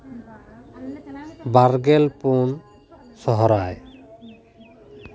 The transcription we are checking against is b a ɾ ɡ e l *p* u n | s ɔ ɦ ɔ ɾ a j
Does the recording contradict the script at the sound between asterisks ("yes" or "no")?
no